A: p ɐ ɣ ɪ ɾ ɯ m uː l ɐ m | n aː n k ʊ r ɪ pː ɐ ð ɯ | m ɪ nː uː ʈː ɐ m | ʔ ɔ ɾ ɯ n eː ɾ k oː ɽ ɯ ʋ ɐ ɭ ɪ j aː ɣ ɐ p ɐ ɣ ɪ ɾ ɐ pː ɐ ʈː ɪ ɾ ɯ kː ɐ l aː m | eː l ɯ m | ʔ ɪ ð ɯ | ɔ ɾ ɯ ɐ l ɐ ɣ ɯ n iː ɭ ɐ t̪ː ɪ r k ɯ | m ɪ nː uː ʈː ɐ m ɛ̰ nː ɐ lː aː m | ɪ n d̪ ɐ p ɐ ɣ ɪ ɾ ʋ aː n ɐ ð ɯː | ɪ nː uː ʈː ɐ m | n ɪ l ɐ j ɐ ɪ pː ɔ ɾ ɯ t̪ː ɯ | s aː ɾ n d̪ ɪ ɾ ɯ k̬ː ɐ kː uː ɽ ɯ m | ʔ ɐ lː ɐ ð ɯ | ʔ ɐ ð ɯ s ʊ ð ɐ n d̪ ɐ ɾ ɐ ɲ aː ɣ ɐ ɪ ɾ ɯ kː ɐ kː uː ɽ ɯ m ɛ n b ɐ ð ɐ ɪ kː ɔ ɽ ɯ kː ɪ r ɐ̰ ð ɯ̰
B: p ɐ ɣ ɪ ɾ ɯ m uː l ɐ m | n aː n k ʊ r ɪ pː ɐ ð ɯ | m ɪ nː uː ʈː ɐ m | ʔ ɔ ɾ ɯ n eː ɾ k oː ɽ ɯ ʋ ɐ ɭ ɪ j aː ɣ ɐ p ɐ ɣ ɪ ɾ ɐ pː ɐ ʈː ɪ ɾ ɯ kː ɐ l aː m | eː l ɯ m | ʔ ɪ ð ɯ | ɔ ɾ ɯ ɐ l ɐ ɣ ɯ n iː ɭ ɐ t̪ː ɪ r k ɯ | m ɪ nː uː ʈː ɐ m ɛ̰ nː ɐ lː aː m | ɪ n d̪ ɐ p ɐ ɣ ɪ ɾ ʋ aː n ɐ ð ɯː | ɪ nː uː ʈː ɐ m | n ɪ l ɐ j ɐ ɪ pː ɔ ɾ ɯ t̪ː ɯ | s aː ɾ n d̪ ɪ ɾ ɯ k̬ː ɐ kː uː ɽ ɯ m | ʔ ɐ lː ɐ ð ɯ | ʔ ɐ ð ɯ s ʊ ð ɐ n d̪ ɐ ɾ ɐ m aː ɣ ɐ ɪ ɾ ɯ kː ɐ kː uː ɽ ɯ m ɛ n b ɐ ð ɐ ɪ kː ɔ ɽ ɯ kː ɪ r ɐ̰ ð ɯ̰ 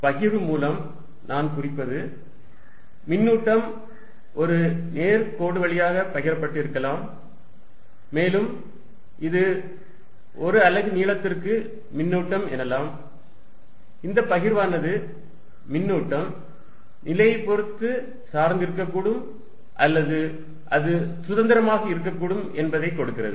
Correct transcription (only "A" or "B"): B